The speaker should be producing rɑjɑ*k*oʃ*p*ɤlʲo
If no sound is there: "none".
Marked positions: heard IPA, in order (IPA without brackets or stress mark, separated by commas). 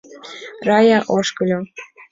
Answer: ʔ, k